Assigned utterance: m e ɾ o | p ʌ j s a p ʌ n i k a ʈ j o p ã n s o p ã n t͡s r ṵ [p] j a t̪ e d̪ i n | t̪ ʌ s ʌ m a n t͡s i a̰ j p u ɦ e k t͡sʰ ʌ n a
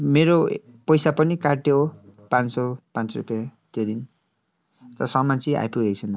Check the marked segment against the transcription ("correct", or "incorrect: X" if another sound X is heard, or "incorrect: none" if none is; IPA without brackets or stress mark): correct